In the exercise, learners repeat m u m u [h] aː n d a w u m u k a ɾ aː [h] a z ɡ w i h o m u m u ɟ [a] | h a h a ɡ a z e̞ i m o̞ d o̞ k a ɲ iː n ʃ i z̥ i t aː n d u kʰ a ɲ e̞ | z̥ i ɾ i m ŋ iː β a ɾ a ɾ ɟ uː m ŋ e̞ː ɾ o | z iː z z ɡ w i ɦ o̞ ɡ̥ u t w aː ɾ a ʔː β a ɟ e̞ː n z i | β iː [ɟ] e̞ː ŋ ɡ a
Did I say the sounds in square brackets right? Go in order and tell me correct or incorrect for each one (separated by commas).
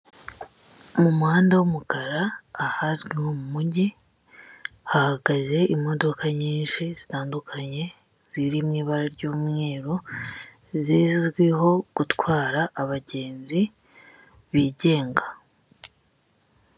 correct, correct, incorrect, correct